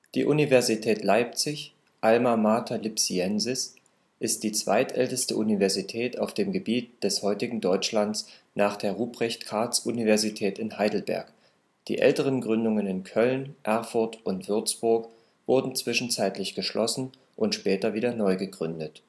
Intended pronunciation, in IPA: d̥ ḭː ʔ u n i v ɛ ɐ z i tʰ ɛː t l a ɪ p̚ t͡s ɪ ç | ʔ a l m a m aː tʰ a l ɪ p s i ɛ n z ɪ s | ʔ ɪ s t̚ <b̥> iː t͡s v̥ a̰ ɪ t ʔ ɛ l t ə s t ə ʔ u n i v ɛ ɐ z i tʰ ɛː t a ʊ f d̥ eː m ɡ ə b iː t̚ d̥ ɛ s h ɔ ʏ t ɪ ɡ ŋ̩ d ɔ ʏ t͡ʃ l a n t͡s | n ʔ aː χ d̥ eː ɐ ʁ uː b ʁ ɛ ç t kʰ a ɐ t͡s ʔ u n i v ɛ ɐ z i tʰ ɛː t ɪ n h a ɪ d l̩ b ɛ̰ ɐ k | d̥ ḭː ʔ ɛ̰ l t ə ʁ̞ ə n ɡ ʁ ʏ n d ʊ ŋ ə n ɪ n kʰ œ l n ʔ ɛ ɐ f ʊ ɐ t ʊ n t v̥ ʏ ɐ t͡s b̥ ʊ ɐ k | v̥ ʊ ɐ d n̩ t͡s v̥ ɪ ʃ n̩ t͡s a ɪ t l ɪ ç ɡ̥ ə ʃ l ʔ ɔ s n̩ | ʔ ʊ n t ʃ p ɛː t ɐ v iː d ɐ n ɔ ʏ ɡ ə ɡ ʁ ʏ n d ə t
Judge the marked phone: incorrect: d̥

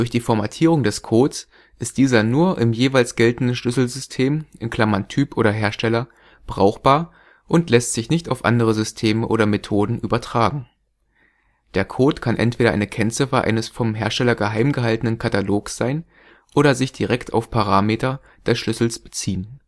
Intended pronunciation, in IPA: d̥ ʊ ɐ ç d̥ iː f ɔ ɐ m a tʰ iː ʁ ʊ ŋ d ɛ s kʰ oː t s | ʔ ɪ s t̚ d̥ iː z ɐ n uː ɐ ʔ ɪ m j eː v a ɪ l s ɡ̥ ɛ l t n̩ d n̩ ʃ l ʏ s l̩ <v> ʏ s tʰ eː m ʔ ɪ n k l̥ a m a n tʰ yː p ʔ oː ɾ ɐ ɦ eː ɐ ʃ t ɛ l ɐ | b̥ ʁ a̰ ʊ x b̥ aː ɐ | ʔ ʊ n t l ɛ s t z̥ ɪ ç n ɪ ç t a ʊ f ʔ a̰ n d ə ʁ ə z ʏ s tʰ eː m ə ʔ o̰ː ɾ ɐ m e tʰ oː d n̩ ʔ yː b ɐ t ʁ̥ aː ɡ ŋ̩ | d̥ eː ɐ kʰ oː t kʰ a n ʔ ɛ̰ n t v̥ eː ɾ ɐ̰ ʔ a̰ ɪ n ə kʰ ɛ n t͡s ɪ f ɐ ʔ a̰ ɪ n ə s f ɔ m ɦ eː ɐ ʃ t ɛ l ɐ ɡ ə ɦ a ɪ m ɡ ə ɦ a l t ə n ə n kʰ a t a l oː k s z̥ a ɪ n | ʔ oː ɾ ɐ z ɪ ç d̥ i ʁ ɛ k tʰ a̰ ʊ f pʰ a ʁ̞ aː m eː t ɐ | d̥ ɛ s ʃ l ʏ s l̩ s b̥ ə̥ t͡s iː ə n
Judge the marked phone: incorrect: z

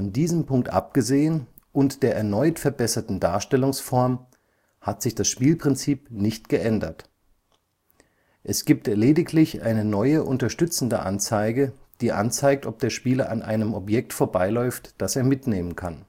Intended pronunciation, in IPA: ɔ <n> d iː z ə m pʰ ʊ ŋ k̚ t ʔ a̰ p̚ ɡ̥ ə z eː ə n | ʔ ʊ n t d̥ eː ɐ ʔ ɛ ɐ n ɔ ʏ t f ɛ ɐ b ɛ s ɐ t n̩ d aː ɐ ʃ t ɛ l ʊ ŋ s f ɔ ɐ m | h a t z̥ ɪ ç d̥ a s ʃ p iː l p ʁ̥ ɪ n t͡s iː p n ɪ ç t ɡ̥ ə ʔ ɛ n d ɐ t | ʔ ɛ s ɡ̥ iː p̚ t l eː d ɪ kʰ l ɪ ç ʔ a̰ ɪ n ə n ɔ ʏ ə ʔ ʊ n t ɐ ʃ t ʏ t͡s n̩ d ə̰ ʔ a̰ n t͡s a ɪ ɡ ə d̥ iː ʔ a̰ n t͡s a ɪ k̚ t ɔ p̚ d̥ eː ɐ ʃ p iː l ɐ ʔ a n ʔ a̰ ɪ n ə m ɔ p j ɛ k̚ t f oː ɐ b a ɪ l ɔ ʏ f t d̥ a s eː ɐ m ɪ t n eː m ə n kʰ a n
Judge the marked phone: correct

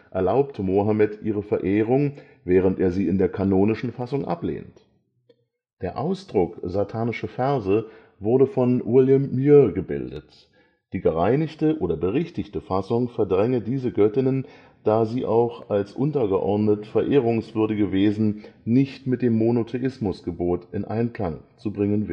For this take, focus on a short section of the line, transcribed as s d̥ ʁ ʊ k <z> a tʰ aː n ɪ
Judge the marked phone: correct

